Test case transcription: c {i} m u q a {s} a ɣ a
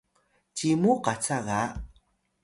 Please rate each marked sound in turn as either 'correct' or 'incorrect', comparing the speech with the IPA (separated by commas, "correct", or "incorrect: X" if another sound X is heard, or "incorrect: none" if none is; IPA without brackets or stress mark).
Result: correct, incorrect: t͡s